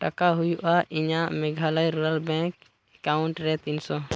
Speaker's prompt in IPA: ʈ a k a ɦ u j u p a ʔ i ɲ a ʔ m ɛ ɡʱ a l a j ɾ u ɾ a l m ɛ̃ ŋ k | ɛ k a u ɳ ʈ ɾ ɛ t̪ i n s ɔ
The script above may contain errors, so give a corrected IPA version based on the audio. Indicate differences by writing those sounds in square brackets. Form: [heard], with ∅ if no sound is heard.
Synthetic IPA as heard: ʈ a k a ɦ u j u [ʔ] a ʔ i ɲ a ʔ m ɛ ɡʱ a l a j ɾ u ɾ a l [b] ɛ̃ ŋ k | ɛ k a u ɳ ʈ ɾ ɛ t̪ i n s ɔ